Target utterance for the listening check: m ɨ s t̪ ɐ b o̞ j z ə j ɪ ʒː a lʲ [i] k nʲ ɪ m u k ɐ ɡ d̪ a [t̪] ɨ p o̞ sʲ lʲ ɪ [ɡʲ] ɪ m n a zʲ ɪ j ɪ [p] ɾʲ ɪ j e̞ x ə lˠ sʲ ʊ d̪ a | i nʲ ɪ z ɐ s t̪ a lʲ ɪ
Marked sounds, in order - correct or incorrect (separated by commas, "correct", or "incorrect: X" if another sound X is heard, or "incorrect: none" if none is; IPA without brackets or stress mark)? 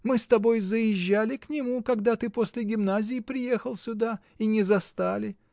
incorrect: ɪ, correct, correct, correct